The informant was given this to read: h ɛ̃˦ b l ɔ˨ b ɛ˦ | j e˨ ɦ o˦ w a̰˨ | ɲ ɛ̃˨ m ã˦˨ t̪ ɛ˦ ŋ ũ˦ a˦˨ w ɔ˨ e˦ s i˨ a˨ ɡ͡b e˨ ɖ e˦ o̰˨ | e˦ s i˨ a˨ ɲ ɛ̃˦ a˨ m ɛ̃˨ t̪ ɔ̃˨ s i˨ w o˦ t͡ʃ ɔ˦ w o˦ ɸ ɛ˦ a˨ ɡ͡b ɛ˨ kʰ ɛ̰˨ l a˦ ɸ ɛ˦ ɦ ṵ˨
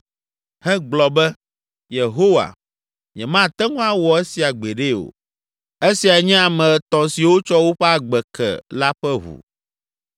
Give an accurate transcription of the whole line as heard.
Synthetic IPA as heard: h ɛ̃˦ ɡ͡b l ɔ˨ b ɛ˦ | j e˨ ɦ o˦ w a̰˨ | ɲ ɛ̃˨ m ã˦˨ t̪ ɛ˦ ŋ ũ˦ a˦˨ w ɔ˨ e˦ s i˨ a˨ ɡ͡b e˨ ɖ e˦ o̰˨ | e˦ s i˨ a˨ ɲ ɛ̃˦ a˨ m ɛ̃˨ t̪ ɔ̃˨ s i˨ w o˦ t͡ʃ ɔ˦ w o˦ ɸ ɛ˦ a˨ ɡ͡b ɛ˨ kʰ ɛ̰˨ l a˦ ɸ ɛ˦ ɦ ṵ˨